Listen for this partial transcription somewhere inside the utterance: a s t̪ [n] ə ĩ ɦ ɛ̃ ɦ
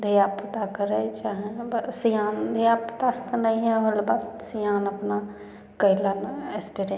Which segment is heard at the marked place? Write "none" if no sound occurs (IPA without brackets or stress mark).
n